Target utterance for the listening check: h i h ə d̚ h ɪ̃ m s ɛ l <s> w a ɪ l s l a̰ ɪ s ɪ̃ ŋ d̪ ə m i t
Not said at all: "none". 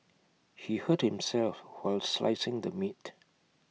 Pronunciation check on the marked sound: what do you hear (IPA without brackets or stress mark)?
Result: f